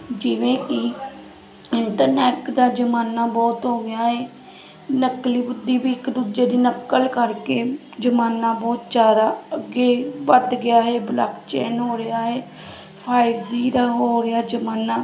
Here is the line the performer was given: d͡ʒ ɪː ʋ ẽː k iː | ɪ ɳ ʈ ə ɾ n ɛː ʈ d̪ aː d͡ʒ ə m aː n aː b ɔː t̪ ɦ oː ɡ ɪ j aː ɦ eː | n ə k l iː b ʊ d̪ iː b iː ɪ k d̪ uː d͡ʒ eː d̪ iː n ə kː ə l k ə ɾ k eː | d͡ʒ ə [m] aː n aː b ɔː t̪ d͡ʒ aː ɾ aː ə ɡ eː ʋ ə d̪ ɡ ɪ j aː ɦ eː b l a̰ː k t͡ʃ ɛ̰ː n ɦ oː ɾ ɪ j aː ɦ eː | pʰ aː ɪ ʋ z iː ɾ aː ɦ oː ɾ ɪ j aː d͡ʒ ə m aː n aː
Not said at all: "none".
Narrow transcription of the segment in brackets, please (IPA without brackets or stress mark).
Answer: m